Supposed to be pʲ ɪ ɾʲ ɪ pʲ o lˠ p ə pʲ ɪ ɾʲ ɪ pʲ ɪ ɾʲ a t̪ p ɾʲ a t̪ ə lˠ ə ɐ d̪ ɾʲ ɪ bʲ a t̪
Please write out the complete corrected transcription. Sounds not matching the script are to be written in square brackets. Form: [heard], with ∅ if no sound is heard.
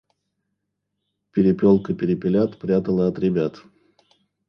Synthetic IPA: pʲ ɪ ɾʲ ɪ pʲ o lˠ [k] ə pʲ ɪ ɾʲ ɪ pʲ ɪ [lʲ] a t̪ p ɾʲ a t̪ ə lˠ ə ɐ [t̪] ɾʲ ɪ bʲ a t̪